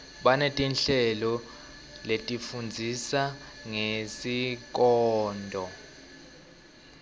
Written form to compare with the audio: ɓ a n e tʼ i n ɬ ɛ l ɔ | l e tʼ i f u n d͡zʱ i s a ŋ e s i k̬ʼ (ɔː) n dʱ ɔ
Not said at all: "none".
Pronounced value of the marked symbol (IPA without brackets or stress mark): ɔː